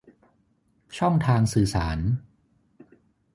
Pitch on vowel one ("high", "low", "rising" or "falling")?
falling